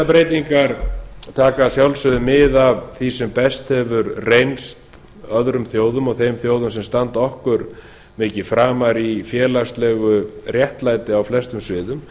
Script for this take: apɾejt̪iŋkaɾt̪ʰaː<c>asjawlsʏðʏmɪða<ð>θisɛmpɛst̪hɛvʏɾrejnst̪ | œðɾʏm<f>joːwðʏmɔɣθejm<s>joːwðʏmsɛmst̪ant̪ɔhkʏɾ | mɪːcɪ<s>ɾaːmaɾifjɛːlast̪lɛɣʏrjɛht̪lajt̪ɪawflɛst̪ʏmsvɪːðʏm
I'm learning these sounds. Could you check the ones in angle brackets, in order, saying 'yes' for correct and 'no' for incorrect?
no, no, no, no, no

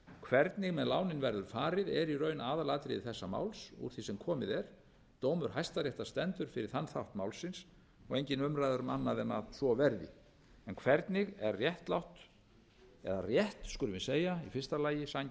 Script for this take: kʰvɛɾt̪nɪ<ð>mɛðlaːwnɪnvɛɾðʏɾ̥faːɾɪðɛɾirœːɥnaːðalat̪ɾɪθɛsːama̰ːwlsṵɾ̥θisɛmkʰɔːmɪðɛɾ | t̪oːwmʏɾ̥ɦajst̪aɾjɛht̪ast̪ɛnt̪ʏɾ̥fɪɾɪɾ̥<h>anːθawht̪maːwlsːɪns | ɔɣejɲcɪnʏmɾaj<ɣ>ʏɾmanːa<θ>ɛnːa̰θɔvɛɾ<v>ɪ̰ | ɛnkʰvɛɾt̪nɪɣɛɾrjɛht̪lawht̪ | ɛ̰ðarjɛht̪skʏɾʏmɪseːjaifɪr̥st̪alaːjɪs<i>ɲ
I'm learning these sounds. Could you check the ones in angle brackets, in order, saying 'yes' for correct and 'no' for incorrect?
no, no, no, no, no, no

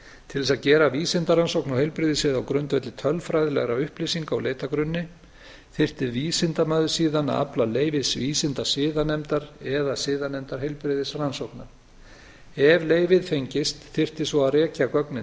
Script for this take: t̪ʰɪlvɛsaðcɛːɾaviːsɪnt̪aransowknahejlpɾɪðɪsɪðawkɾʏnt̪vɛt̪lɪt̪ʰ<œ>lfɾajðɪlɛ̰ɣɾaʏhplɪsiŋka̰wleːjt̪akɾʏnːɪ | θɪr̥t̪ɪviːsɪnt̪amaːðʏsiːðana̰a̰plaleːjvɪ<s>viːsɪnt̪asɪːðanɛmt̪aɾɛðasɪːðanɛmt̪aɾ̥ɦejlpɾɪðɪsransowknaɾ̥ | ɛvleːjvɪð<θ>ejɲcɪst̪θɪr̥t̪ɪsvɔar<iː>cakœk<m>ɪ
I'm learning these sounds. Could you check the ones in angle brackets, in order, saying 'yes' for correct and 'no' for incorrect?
yes, yes, no, no, no

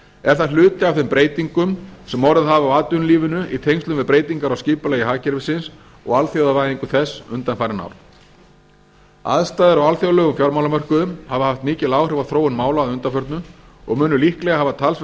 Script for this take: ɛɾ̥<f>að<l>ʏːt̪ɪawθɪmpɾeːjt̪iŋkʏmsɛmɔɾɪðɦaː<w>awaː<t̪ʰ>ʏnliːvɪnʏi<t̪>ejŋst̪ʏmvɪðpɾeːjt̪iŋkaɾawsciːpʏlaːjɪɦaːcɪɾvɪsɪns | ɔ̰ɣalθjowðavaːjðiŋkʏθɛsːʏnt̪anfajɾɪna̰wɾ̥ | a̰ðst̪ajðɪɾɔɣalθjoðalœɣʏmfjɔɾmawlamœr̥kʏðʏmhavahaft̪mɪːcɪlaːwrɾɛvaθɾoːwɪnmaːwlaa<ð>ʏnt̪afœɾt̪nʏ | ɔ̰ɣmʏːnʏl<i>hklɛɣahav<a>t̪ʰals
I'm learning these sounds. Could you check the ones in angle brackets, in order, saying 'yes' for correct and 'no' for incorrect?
no, yes, no, no, no, yes, yes, yes

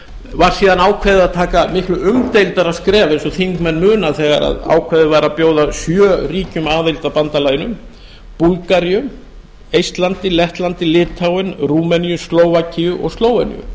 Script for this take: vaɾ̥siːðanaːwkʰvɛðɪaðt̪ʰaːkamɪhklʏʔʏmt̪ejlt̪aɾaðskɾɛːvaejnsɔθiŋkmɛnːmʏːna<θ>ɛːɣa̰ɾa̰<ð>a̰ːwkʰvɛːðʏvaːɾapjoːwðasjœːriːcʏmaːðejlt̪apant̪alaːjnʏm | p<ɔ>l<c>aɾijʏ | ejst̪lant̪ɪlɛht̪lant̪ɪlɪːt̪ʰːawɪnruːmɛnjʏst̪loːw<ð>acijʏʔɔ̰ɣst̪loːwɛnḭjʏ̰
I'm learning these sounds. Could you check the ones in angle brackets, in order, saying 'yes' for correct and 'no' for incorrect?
yes, yes, no, no, no

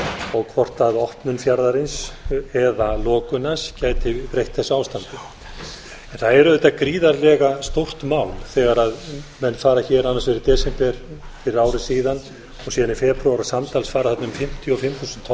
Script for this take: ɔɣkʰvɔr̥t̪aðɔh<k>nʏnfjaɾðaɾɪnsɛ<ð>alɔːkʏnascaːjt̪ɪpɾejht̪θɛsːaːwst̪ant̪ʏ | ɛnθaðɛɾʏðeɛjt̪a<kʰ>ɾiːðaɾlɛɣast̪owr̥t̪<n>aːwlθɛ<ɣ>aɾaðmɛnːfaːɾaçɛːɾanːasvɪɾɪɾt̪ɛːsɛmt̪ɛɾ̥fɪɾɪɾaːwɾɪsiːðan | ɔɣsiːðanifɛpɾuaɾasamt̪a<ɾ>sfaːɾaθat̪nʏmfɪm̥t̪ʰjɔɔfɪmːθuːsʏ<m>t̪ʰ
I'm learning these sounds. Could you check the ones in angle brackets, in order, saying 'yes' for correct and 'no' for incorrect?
no, yes, no, no, yes, no, no

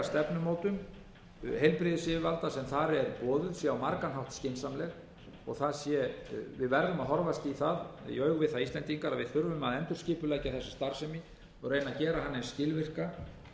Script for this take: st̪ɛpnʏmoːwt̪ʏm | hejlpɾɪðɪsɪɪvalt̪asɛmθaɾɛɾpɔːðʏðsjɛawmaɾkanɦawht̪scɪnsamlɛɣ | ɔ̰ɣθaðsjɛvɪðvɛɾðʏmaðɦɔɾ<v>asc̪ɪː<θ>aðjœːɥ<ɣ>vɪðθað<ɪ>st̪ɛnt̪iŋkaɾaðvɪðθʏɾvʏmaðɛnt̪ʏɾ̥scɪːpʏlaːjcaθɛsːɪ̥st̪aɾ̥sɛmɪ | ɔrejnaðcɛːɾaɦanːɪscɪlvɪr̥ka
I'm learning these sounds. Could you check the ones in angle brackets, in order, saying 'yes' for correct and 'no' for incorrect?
yes, yes, yes, no

